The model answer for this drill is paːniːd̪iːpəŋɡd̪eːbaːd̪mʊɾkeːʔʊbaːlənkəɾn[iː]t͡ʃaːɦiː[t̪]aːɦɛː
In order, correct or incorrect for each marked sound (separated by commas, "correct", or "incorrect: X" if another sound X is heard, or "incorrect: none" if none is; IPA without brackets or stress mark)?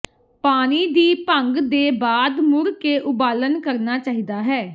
incorrect: aː, incorrect: d̪